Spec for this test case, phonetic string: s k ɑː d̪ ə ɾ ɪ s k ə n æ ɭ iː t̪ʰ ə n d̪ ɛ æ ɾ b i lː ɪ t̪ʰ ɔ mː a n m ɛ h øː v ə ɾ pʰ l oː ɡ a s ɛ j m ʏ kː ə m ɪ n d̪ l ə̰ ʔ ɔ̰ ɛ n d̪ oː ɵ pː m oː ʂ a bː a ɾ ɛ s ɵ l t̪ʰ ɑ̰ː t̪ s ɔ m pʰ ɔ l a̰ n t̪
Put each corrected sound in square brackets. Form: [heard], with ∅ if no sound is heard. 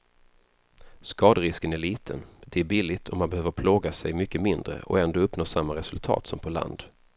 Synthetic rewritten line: s k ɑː d̪ ə ɾ ɪ s k ə n æ ɭ iː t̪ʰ ə n d̪ ɛ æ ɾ b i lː ɪ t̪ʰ ɔ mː a n [b] ɛ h øː v ə ɾ pʰ l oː ɡ a s ɛ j m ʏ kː ə m ɪ n d̪ [ɾ] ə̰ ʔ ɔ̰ ɛ n d̪ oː ɵ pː [n] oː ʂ a [mː] a ɾ ɛ s ɵ l t̪ʰ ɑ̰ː t̪ s ɔ m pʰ ɔ l a̰ n [d̪]